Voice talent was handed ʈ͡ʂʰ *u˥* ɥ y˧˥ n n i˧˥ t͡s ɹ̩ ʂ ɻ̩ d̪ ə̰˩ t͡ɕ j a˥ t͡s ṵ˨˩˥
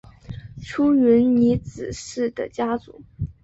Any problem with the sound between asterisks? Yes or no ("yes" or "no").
no